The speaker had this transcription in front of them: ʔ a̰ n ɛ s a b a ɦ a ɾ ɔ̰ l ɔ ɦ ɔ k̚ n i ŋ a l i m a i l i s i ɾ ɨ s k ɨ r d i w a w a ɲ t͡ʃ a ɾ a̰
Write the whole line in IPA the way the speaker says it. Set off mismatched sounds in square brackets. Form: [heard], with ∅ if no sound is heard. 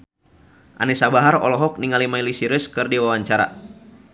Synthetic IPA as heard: ʔ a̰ n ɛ s a b a ɦ a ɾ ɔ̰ l ɔ ɦ ɔ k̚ n i ŋ a l i m a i l i s i ɾ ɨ s k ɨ r d i w a w a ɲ t͡ʃ a ɾ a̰